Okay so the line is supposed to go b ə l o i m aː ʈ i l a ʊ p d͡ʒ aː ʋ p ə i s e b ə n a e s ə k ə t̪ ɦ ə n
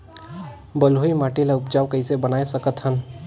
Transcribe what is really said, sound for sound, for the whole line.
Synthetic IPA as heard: b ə l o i m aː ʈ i l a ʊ p d͡ʒ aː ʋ k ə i s e b ə n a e s ə k ə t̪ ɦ ə n